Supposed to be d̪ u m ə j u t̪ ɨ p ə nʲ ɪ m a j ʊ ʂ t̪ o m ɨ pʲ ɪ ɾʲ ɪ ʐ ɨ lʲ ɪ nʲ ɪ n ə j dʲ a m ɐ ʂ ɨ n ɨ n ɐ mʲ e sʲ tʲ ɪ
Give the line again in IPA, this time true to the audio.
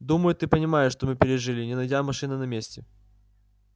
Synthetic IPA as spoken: d̪ u m ə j ʊ t̪ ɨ p ə nʲ ɪ m a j ʊ ʂ t̪ o m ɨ pʲ ɪ ɾʲ ɪ ʐ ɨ lʲ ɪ nʲ ɪ n ɐ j dʲ a m ɐ ʂ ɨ n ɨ n ɐ mʲ e sʲ tʲ ɪ